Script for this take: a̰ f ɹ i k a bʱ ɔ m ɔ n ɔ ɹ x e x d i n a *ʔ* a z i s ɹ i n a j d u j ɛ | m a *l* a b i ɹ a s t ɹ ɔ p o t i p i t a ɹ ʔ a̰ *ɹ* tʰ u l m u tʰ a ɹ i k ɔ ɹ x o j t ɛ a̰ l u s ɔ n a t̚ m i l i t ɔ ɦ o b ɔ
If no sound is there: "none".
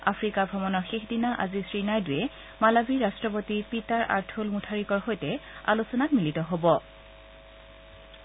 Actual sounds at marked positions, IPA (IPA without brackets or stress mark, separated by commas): ʔ, l, ɹ